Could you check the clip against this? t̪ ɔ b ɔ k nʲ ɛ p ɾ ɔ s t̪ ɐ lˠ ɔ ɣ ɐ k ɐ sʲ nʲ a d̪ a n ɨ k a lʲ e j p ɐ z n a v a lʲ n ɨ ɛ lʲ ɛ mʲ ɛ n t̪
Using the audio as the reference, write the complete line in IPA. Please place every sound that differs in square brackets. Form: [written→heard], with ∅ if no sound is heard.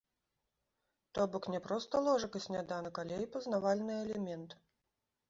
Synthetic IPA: t̪ ɔ b ɔ k nʲ ɛ p ɾ ɔ s t̪ ɐ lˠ ɔ [ɣ→ʐ] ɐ k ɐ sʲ nʲ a d̪ a n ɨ k a lʲ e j p ɐ z n a v a lʲ n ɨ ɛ lʲ ɛ mʲ ɛ n t̪